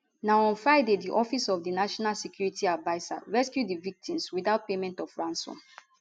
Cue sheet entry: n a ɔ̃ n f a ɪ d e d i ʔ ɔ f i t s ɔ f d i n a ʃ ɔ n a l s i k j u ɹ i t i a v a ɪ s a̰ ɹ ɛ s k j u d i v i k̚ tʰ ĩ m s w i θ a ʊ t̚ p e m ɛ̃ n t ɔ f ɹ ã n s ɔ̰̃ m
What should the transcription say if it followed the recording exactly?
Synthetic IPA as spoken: n a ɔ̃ n f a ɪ d e d i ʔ ɔ f i s ɔ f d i n a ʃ ɔ n a l s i k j u ɹ i t i a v a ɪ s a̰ ɹ ɛ s k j u d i v i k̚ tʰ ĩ m s w i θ a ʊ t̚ p e m ɛ̃ n t ɔ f ɹ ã n s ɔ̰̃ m